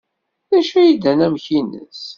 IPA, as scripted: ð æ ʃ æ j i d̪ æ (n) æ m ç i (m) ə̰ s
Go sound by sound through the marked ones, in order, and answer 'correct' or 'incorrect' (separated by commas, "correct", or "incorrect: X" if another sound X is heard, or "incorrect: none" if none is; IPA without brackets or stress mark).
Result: correct, incorrect: n